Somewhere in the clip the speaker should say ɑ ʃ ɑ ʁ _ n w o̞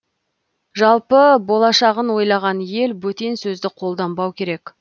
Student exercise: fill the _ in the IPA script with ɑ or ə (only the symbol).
ə